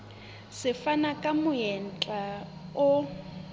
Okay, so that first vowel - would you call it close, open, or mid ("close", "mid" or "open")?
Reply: close